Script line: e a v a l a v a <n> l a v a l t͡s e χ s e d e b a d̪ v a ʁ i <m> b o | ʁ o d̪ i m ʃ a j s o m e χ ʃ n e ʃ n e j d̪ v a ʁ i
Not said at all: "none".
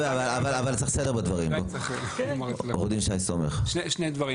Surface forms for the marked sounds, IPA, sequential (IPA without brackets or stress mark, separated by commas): none, m